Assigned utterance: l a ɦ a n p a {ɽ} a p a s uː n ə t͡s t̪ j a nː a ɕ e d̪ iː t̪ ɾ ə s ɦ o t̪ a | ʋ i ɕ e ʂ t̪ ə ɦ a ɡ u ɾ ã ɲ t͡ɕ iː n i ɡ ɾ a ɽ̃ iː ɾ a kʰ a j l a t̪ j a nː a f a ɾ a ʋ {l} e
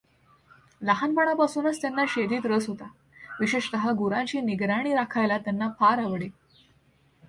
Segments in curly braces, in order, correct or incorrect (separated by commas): correct, incorrect